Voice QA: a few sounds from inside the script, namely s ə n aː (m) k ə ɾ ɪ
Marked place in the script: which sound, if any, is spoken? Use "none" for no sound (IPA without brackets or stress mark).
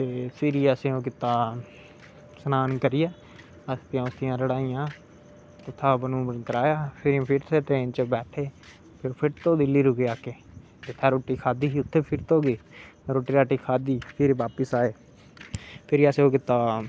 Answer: n